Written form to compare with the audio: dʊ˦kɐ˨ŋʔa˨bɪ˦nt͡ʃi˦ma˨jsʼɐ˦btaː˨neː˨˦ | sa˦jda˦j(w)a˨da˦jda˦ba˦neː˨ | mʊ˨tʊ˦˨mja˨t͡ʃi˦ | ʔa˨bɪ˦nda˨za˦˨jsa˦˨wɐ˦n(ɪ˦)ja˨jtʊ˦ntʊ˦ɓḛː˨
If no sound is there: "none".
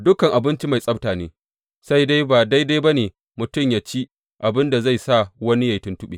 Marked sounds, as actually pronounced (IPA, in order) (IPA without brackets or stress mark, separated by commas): b, i˦